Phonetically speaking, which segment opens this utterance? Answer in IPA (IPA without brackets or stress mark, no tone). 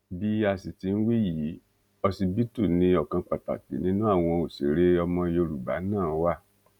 b